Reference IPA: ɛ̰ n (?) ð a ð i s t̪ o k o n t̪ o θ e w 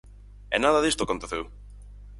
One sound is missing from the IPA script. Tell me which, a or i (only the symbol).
a